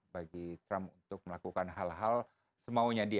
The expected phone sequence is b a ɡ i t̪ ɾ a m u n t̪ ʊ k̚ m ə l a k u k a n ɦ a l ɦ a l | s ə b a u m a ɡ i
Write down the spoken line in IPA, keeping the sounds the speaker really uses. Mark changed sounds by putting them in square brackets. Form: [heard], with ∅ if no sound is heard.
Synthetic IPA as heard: b a ɡ i t̪ ɾ a m u n t̪ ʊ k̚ m ə l a k u k a n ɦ a l ɦ a l | s ə [m] a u [ɲ] a [d] i